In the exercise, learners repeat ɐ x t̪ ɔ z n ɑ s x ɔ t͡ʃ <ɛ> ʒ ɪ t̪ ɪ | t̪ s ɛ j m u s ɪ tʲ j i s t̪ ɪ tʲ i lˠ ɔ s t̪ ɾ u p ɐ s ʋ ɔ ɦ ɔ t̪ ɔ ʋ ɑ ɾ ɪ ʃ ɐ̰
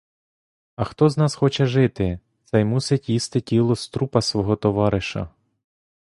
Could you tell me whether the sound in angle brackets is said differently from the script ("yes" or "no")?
no